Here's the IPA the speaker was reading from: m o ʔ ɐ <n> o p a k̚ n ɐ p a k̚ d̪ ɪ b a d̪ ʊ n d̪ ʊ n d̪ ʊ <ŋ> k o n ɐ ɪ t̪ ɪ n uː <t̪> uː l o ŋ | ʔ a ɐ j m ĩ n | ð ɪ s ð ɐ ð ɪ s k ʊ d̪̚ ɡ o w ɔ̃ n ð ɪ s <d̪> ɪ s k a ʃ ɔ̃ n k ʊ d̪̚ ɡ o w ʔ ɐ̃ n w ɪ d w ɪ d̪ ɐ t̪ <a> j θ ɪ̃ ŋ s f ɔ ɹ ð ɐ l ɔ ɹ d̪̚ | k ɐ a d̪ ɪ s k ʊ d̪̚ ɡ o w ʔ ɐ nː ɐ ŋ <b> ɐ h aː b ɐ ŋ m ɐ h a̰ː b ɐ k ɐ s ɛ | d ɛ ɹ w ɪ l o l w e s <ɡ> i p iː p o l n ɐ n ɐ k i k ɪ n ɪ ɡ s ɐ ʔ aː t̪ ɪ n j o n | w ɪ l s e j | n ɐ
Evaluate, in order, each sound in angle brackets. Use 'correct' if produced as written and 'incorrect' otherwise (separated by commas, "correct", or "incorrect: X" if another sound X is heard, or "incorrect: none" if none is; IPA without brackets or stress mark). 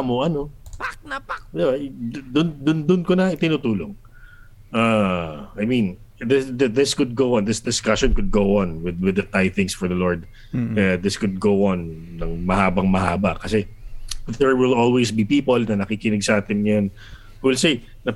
correct, incorrect: n, correct, correct, correct, incorrect: m, incorrect: b